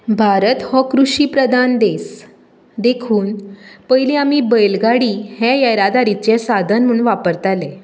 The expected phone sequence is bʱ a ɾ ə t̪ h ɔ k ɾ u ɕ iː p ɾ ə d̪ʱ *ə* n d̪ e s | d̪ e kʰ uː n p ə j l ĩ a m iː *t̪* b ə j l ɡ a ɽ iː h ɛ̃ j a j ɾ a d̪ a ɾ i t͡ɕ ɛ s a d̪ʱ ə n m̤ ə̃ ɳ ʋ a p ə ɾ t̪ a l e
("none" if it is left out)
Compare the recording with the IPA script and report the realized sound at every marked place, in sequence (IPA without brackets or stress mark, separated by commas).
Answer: a, none